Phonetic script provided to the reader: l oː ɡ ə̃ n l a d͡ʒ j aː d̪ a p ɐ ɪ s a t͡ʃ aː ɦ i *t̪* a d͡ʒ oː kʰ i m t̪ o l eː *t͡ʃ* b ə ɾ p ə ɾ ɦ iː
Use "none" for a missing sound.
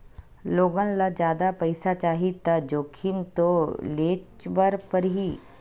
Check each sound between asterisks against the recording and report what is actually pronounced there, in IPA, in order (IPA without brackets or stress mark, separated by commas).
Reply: t̪, t͡ʃ